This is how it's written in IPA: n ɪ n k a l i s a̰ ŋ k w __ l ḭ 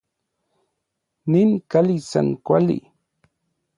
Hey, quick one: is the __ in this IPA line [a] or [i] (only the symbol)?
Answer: a